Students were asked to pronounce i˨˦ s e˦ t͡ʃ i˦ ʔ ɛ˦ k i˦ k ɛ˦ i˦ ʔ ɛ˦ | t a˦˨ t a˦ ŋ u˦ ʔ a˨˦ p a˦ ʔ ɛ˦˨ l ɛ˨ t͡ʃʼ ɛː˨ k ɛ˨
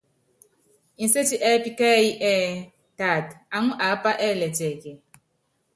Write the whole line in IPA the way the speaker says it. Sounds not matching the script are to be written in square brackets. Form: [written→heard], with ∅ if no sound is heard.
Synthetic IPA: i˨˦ s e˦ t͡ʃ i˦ ʔ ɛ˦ [k→p] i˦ k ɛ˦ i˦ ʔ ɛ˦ | t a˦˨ t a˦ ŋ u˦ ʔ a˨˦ p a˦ ʔ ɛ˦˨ l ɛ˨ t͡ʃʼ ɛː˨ k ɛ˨